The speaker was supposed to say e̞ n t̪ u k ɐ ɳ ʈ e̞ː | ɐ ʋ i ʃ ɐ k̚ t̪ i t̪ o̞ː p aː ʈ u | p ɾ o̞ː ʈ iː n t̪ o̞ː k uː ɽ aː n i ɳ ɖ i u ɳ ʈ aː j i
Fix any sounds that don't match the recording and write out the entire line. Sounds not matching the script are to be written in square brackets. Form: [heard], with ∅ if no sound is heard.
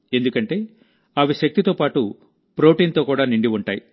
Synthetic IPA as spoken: e̞ n [d̪] u k ɐ ɳ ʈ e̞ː | ɐ ʋ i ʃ ɐ k̚ t̪ i t̪ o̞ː p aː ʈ u | p ɾ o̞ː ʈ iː n t̪ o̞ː k uː ɽ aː n i ɳ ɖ i u ɳ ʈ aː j i